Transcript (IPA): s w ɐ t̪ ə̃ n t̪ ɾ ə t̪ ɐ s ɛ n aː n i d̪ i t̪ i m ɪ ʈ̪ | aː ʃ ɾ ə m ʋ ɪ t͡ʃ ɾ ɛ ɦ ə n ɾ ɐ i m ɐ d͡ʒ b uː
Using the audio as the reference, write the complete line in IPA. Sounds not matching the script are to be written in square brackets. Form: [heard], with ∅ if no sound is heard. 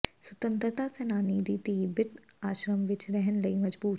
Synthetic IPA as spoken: s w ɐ t̪ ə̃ n t̪ ɾ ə t̪ [a] s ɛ n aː n i d̪ i t̪ i [b] ɪ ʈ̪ | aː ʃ ɾ ə m ʋ ɪ t͡ʃ ɾ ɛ ɦ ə n [l] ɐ i m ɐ d͡ʒ b uː

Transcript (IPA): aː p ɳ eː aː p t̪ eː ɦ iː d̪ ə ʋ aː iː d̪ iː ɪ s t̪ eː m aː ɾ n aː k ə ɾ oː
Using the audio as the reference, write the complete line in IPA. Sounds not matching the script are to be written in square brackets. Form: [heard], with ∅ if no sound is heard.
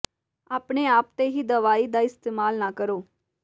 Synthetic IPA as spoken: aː p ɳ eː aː p t̪ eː ɦ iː d̪ ə ʋ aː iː d̪ [aː] ɪ s t̪ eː m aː [l] n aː k ə ɾ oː

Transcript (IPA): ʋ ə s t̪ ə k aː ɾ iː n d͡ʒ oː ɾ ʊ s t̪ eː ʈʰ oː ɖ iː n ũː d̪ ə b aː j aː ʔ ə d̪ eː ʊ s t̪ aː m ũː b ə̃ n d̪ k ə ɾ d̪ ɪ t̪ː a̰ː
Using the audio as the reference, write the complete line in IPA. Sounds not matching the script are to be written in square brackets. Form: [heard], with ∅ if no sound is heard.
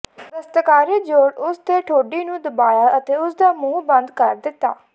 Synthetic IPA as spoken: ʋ ə s t̪ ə k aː ɾ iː [∅] d͡ʒ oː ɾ ʊ s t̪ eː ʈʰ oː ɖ iː n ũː d̪ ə b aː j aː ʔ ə [t̪] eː ʊ s [d̪] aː m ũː b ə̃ n d̪ k ə ɾ d̪ ɪ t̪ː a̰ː

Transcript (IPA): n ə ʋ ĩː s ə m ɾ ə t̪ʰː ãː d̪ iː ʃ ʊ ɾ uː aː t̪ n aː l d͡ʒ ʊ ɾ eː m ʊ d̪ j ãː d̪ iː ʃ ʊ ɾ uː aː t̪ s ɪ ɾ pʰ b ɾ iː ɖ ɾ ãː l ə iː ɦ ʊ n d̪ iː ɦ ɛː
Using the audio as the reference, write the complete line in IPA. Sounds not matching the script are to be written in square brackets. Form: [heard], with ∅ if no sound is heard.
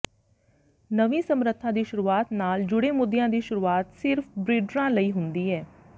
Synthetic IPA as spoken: n ə ʋ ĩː s ə m ɾ ə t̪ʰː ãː d̪ iː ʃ ʊ ɾ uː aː t̪ n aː l d͡ʒ ʊ [ɽ] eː m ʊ d̪ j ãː d̪ iː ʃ ʊ ɾ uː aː t̪ s ɪ ɾ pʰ b ɾ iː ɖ ɾ ãː l ə iː ɦ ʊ n d̪ iː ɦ ɛː

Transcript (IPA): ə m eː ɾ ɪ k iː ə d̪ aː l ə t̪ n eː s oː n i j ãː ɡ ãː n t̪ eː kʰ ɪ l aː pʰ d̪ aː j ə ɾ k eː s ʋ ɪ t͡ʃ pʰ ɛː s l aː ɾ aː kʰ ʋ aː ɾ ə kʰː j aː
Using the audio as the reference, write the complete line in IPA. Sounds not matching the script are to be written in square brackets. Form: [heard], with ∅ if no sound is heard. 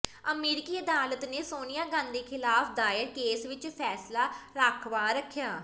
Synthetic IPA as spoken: ə m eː ɾ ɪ k iː ə d̪ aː l ə t̪ n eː s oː n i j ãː ɡ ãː n [d̪] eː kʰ ɪ l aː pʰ d̪ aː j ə ɾ k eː s ʋ ɪ t͡ʃ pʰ ɛː s l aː ɾ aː kʰ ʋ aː ɾ ə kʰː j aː

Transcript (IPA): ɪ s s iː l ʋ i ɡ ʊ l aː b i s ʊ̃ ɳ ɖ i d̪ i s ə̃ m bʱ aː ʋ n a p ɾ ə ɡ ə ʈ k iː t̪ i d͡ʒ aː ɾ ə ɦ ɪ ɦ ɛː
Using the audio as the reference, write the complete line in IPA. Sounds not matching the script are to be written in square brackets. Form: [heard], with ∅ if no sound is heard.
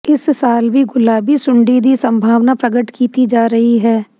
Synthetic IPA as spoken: ɪ s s [aː] l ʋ i ɡ ʊ l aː b i s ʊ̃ ɳ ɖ i d̪ i s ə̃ m bʱ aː ʋ n a p ɾ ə ɡ ə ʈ k iː t̪ i d͡ʒ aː ɾ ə ɦ [i] ɦ ɛː

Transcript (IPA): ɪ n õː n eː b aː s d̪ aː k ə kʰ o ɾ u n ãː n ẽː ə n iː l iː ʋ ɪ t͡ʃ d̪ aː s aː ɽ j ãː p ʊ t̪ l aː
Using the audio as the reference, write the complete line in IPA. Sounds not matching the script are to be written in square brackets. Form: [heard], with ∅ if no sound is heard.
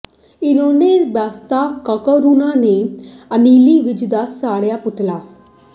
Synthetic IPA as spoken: ɪ n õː n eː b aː s [t̪] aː k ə [k] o ɾ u n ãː n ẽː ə n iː l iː ʋ ɪ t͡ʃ d̪ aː s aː ɽ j [aː] p ʊ t̪ l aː

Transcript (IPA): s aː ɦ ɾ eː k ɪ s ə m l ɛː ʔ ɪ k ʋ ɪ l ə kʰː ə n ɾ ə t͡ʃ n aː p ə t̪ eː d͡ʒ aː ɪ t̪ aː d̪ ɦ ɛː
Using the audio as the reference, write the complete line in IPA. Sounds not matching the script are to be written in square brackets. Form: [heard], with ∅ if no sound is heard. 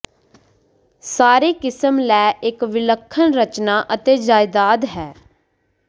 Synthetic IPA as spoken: s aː [∅] ɾ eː k ɪ s ə m l ɛː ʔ ɪ k ʋ ɪ l ə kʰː ə n ɾ ə t͡ʃ n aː [ʔ] ə t̪ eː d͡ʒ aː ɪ [d̪] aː d̪ ɦ ɛː

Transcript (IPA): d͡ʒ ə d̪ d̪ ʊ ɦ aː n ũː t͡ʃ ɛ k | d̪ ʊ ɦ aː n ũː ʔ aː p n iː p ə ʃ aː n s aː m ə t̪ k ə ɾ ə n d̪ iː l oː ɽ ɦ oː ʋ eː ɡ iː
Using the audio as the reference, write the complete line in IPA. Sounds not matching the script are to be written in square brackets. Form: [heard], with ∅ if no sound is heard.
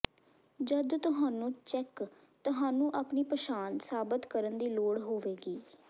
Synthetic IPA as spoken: d͡ʒ ə d̪ [t̪] ʊ ɦ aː n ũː t͡ʃ ɛ k | [t̪] ʊ ɦ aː n ũː ʔ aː p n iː p ə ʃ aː n s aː [b] ə t̪ k ə ɾ ə n d̪ iː l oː ɽ ɦ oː ʋ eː ɡ iː

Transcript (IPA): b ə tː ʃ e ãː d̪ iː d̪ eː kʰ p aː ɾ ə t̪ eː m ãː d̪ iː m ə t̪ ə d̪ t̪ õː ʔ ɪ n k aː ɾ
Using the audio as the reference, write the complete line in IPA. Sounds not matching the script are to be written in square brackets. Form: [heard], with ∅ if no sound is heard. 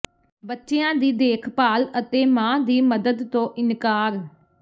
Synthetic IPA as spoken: b ə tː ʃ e ãː d̪ iː d̪ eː kʰ p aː [l] ə t̪ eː m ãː d̪ iː m ə [d̪] ə d̪ t̪ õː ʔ ɪ n k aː ɾ

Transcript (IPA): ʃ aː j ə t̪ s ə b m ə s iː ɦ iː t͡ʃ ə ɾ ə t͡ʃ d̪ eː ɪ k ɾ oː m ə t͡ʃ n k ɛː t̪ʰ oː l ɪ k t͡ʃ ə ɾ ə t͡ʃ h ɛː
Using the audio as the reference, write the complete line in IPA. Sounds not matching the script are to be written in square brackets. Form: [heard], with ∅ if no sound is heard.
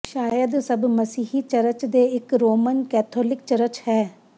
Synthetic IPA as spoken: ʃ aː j ə [d̪] s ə b m ə s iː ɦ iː t͡ʃ ə ɾ ə t͡ʃ d̪ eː ɪ k ɾ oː m ə [∅] n k ɛː t̪ʰ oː l ɪ k t͡ʃ ə ɾ ə t͡ʃ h ɛː

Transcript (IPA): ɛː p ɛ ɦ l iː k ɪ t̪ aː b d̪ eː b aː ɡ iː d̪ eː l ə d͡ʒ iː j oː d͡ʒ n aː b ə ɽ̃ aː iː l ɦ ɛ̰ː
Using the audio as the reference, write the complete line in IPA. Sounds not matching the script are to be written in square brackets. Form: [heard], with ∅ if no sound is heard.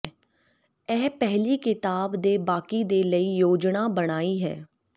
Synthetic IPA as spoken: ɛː p ɛ ɦ l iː k ɪ t̪ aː b d̪ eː b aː [k] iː d̪ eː l ə [∅] iː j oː d͡ʒ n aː b ə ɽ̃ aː iː [∅] ɦ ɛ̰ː

